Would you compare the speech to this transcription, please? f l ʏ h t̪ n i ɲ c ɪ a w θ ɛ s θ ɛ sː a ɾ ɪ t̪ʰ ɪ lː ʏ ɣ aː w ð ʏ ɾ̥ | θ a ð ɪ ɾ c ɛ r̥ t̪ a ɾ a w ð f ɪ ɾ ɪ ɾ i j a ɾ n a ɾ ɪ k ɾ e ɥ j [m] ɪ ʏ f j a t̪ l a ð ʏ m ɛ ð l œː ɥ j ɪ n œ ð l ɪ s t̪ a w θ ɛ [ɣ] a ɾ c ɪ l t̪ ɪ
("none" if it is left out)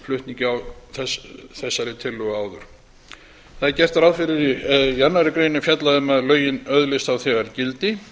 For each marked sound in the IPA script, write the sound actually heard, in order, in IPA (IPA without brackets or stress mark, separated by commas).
n, ɣ